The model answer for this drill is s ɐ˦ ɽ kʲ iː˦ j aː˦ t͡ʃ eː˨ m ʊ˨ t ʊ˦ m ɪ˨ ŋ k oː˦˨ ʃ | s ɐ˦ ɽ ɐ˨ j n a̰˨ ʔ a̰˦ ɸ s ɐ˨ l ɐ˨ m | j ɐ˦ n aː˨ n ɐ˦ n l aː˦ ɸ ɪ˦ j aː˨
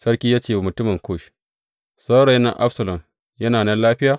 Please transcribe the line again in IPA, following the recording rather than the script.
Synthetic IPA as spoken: s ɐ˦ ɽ kʲ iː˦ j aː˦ t͡ʃ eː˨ m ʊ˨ t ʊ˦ m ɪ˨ ŋ k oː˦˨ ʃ | s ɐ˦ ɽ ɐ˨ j n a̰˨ ʔ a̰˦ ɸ s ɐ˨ l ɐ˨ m | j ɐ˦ n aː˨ n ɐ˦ n l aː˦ ɸ ɪ˦ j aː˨